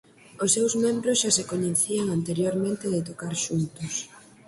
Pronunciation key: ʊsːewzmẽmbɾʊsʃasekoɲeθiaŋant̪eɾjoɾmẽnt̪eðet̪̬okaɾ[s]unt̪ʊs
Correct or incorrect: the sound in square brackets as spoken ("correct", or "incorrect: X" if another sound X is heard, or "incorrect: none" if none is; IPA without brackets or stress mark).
incorrect: ʃ